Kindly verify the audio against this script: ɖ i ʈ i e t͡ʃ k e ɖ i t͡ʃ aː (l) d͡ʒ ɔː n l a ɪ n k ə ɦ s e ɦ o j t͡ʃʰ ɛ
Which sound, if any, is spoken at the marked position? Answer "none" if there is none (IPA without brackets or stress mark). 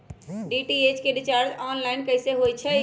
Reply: ɾ